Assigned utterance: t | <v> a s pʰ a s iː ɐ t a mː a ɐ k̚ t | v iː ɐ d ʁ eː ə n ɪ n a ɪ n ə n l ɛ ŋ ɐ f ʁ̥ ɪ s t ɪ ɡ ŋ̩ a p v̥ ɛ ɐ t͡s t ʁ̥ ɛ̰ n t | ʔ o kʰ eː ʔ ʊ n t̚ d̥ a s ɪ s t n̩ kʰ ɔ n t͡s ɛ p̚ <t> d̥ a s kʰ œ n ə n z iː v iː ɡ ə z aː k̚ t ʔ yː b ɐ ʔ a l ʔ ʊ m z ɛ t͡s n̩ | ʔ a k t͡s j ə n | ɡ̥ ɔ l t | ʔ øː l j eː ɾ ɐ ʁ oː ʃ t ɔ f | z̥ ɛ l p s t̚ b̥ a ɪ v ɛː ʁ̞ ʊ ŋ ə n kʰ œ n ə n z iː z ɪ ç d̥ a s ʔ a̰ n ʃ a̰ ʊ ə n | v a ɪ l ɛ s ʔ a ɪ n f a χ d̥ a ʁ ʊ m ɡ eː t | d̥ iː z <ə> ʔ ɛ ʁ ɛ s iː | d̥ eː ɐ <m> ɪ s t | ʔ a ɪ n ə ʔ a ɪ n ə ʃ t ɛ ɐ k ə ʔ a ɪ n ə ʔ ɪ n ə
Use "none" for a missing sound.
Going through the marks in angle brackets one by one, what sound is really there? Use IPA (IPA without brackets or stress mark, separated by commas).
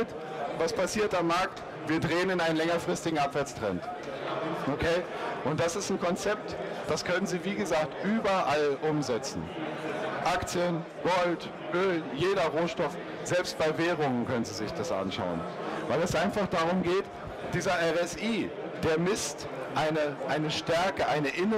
v, t, ɐ, m